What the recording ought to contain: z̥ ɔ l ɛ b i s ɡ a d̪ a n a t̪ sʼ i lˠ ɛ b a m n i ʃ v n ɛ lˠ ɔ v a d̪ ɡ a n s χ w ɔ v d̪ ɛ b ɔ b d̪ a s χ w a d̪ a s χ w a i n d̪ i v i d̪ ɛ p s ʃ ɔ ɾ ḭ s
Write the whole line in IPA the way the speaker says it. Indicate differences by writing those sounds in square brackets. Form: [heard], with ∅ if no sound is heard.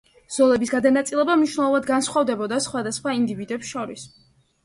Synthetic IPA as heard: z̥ ɔ l ɛ b i s ɡ a d̪ a n a t̪ sʼ i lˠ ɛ b a m n i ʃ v n ɛ lˠ ɔ v a d̪ ɡ a n s χ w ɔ v d̪ ɛ b ɔ [∅] d̪ a s χ w a d̪ a s χ w a i n d̪ i v i d̪ ɛ p s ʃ ɔ ɾ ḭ s